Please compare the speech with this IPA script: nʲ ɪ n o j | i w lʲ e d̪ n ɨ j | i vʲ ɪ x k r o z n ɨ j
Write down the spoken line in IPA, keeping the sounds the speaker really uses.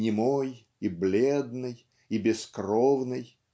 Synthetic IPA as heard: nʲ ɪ m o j | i b lʲ e d̪ n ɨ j | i bʲ ɪ s k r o v n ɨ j